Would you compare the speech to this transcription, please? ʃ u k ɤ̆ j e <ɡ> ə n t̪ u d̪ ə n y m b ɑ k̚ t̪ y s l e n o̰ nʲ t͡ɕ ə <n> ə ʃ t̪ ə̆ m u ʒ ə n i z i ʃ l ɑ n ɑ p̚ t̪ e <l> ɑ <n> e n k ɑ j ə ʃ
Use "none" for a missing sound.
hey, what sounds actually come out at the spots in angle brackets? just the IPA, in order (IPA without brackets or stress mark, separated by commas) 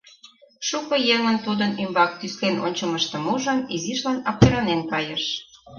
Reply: ŋ, m, ɾ, n